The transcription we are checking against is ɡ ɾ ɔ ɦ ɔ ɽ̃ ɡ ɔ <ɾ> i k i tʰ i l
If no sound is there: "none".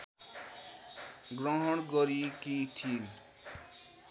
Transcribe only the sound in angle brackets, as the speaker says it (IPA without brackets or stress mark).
ɾ